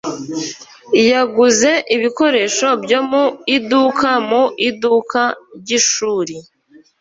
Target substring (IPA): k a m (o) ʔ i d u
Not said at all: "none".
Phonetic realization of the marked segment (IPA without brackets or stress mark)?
u